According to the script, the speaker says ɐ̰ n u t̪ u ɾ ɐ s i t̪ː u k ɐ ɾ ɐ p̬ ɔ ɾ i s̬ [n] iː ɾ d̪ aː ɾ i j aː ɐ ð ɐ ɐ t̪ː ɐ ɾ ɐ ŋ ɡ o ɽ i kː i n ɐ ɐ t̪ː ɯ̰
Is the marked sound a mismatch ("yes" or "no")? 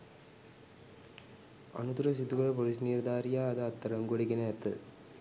no